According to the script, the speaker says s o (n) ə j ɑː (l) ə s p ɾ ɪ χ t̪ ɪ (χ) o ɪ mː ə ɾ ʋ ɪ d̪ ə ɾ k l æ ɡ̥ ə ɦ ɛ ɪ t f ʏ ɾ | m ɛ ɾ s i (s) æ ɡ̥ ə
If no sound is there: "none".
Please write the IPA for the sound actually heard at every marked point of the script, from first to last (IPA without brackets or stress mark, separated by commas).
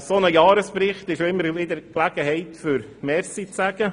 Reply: n, ɾ, ʃ, t͡s